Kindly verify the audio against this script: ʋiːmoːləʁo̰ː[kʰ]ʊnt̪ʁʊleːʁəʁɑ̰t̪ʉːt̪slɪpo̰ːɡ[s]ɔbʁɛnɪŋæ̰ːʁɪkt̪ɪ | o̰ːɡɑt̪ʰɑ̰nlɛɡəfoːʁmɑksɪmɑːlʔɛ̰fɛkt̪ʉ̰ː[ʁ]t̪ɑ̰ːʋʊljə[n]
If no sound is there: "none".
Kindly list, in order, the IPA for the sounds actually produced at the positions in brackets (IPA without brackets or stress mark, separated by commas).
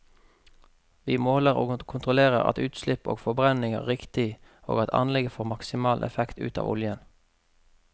kʰ, f, none, n